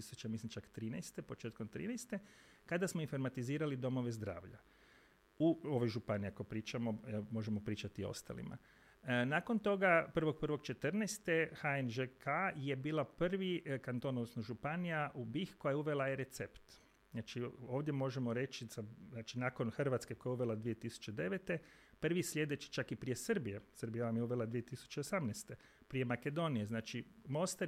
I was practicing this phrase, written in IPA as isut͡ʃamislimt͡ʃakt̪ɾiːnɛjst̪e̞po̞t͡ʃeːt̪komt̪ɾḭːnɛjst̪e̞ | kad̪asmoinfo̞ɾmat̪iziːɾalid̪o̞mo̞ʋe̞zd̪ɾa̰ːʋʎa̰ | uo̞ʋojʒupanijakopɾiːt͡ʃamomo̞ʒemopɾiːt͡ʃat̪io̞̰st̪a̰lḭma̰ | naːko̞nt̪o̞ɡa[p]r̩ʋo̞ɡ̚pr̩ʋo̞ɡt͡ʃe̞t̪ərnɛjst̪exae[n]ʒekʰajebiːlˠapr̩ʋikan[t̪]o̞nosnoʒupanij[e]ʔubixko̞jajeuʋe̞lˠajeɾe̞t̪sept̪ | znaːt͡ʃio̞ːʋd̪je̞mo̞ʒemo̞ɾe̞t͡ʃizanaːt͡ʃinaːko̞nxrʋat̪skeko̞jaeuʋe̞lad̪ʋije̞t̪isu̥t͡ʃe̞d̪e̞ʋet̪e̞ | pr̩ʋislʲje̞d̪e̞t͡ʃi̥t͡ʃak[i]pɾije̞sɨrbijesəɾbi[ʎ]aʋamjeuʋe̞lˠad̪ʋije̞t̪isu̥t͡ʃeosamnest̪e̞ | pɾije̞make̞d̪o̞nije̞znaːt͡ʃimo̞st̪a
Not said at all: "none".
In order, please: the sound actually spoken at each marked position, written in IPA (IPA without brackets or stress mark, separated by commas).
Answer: p, n, t̪, a, i, j